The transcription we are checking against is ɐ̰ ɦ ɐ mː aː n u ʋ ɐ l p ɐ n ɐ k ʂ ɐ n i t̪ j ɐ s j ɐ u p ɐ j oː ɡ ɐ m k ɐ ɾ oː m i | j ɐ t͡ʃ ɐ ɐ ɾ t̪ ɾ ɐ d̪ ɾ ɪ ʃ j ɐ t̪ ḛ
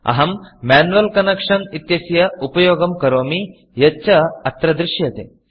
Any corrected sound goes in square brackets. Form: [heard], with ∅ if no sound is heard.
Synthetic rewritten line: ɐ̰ ɦ ɐ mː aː n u ʋ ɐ l [k] ɐ n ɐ k ʂ ɐ n i t̪ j ɐ s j ɐ u p ɐ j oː ɡ ɐ m k ɐ ɾ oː m i | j ɐ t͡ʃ ɐ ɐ [∅] t̪ ɾ ɐ d̪ ɾ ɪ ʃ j ɐ t̪ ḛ